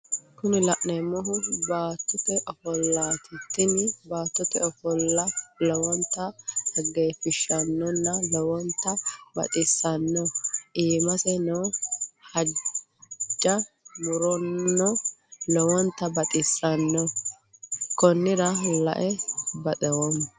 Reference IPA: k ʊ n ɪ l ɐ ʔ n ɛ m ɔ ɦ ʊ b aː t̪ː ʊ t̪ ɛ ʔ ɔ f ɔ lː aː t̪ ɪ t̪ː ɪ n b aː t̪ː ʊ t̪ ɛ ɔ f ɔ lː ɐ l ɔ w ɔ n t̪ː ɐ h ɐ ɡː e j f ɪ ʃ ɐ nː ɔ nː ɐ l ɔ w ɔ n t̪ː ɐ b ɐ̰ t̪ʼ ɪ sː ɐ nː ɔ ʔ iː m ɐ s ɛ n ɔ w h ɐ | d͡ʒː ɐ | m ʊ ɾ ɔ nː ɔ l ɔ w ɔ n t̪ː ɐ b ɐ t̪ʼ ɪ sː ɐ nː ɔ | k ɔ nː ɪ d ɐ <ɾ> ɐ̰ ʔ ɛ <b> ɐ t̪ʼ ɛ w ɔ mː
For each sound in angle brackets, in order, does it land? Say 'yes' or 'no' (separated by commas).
no, yes